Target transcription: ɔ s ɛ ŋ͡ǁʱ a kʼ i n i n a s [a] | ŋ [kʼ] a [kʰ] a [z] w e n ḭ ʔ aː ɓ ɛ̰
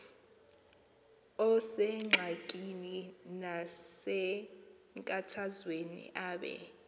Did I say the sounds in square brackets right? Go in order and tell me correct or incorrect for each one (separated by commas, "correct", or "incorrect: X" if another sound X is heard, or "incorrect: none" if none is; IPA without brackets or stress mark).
incorrect: ɛ, correct, incorrect: tʰ, correct